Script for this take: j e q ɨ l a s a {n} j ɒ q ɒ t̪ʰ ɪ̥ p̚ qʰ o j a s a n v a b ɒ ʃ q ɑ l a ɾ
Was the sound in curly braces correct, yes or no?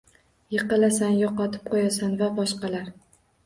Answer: yes